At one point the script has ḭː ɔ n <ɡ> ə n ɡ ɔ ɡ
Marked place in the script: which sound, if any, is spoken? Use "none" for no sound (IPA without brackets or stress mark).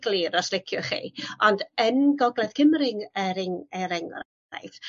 d